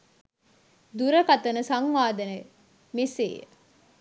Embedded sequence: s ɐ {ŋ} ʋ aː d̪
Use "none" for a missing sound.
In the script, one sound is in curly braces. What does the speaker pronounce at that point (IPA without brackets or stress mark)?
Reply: ŋ